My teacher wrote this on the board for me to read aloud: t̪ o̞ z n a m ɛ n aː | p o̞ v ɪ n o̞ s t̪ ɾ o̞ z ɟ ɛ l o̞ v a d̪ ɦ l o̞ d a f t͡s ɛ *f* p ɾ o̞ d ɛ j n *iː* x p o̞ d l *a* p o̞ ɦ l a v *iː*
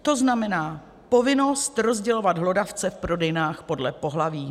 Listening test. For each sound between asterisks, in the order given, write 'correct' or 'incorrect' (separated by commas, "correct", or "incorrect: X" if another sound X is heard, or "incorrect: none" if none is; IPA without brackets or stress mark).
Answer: correct, incorrect: aː, incorrect: ɛ, correct